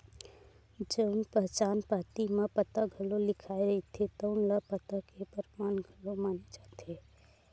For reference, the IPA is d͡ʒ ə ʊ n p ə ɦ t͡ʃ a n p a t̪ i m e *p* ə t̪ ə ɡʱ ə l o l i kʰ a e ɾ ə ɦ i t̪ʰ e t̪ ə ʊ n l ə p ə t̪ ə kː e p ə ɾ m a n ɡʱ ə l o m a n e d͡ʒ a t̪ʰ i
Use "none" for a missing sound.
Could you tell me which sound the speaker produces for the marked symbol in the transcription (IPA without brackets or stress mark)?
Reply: p